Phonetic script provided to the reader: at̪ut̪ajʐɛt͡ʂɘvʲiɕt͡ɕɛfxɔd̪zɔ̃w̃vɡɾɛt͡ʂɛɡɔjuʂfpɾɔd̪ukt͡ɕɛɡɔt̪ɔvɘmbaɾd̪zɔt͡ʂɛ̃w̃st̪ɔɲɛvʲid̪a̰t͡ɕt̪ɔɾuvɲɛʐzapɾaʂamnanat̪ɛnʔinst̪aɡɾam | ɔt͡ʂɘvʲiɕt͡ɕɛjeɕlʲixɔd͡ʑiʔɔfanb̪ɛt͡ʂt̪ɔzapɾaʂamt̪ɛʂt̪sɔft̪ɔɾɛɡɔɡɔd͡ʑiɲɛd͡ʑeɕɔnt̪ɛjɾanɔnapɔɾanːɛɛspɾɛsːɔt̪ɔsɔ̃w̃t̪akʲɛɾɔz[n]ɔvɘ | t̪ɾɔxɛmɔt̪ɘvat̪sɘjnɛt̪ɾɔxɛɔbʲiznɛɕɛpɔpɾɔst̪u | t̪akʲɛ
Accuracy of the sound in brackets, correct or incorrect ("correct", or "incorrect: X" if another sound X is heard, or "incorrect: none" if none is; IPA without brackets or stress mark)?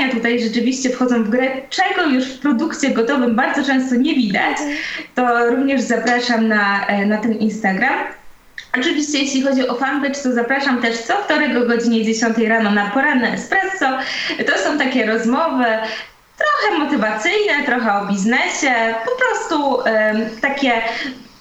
incorrect: m